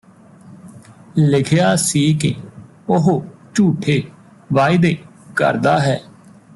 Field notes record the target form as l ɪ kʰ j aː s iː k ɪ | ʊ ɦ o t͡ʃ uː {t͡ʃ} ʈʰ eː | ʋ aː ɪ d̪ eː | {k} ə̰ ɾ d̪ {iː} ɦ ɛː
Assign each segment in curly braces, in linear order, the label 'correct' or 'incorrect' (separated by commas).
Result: incorrect, correct, incorrect